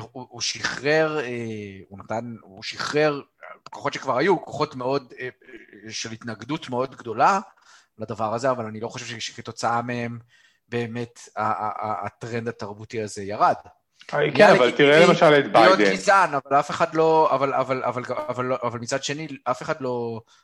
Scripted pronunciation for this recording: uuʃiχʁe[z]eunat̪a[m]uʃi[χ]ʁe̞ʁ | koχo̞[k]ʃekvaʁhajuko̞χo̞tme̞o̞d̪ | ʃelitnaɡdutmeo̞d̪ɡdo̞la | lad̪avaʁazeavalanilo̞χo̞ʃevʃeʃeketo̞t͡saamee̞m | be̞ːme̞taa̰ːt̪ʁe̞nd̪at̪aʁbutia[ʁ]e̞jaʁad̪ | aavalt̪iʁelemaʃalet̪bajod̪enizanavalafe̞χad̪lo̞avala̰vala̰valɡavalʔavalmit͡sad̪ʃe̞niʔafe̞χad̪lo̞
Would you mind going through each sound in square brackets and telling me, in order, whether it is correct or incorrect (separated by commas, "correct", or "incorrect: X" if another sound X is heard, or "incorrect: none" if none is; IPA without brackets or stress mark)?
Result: incorrect: ʁ, incorrect: n, correct, incorrect: t, incorrect: z